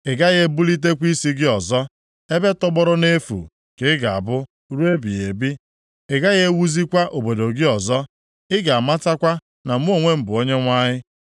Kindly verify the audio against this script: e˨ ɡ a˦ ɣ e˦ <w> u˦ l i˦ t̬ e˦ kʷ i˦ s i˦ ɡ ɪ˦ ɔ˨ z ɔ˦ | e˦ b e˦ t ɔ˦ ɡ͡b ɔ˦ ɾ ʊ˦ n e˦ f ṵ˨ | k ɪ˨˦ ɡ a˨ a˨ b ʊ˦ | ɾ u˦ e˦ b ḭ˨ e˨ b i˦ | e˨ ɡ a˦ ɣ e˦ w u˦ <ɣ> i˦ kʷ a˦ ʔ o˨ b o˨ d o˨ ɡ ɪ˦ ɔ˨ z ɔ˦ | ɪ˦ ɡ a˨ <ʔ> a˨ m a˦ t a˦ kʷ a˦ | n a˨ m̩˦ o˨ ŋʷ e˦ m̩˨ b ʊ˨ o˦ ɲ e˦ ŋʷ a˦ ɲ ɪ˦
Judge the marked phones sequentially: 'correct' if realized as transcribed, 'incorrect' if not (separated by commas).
incorrect, incorrect, incorrect